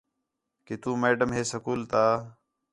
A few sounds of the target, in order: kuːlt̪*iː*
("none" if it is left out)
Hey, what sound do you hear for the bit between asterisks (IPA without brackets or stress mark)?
aː